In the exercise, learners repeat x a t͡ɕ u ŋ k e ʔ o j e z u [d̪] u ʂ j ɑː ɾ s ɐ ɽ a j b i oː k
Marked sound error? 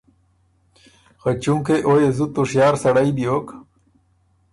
yes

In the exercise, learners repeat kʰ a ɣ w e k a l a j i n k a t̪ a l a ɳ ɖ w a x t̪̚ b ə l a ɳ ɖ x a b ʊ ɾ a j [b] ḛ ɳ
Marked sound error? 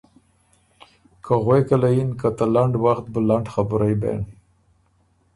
no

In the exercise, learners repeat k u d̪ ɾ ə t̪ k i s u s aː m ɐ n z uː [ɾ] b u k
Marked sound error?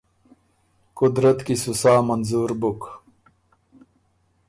no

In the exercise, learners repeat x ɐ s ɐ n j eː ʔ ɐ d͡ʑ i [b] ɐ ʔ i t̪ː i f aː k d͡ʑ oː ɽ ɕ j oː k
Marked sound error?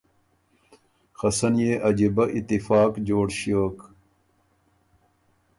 no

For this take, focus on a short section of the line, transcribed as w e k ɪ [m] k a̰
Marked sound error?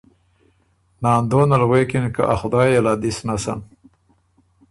yes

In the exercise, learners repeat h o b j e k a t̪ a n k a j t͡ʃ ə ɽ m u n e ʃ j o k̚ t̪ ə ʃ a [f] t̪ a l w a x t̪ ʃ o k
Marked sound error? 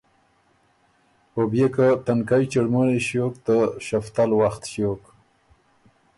no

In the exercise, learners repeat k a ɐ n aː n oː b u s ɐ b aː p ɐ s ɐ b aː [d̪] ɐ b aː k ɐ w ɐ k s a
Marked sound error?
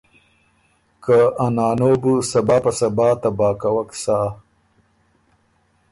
yes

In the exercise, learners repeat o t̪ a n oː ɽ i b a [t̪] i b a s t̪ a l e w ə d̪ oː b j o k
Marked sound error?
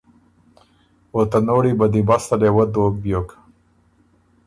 yes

